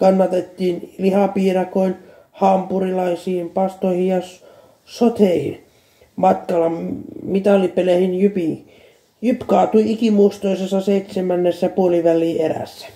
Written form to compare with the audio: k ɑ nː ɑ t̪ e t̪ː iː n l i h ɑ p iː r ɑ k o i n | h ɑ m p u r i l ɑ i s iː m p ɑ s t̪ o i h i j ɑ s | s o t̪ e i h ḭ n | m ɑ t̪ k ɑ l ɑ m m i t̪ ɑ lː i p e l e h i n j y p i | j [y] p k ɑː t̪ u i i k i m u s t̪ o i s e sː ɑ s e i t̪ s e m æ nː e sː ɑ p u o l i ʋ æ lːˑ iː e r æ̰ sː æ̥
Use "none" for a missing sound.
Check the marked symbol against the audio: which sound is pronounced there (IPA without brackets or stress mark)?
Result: y